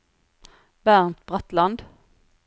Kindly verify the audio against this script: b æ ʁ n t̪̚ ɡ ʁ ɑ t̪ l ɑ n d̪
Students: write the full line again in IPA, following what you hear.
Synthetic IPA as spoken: b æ ʁ n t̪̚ b ʁ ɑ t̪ l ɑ n d̪